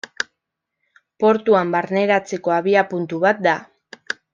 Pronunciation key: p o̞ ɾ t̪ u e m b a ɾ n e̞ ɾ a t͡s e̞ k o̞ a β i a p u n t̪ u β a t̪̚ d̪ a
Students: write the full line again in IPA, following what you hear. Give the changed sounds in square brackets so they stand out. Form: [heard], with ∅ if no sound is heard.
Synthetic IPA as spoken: p o̞ ɾ t̪ u [a] m b a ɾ n e̞ ɾ a t͡s e̞ k o̞ a β i a p u n t̪ u β a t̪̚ d̪ a